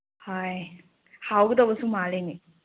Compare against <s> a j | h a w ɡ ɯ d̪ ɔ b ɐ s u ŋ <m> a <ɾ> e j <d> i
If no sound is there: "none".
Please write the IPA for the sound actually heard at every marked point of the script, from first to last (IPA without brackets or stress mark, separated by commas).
h, m, l, n